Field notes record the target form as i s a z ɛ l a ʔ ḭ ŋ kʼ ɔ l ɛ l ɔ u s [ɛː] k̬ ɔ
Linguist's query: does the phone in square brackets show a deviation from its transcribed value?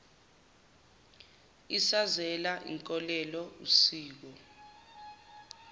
yes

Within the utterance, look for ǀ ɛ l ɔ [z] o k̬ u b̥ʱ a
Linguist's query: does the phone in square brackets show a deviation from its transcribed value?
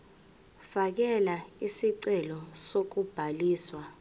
yes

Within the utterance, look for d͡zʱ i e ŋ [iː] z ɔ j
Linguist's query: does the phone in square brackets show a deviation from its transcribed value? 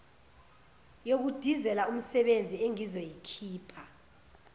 yes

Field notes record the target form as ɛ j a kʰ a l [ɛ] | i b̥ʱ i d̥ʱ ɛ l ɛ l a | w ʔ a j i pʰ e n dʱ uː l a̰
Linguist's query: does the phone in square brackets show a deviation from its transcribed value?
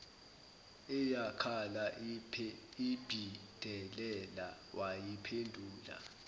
yes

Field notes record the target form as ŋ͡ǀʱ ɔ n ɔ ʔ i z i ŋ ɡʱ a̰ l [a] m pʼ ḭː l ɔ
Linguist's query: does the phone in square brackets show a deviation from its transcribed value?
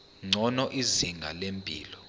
yes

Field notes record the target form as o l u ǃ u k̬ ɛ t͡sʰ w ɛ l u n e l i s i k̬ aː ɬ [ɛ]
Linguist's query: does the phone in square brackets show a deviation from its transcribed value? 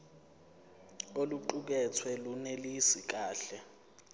no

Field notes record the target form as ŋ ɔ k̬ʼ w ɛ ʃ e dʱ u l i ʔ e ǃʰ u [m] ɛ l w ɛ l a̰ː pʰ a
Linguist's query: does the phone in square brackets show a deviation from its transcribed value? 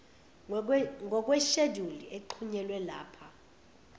yes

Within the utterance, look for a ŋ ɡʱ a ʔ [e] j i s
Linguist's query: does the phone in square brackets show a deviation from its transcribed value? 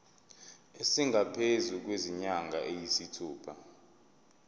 no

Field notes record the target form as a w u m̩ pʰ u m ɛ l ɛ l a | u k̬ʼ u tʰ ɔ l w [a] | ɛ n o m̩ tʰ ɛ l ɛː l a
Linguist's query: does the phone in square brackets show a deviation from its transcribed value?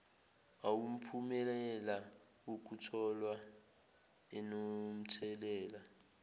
no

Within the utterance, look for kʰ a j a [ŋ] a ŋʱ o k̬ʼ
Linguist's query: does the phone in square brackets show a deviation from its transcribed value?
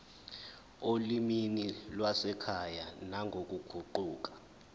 yes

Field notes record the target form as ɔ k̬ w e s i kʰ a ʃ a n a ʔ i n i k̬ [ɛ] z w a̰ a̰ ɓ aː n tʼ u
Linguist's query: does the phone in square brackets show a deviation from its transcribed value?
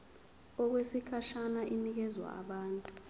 no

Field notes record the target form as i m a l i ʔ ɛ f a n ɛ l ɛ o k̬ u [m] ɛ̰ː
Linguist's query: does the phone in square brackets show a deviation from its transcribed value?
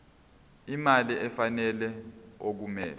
no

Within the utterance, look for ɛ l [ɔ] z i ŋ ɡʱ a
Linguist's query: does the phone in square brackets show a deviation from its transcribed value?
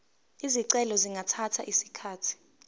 no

